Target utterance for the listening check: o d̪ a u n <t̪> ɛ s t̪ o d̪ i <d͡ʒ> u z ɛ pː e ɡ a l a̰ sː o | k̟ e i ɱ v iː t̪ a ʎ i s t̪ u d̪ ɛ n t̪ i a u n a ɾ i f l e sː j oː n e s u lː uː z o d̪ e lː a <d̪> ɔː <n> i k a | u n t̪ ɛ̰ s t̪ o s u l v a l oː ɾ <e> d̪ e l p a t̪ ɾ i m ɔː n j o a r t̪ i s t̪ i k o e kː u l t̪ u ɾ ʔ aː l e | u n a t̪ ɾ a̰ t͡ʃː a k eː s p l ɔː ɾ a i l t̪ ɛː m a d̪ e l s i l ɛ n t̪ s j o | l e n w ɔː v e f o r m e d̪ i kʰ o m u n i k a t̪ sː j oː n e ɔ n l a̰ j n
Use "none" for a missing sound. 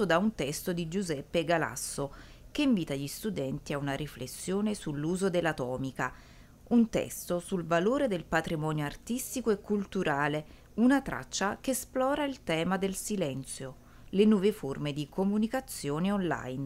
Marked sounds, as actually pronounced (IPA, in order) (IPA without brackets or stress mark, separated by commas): t̪, d͡ʒ, t̪, m, e